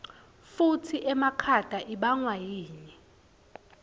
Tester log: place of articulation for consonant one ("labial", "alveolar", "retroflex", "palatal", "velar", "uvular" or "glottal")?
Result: labial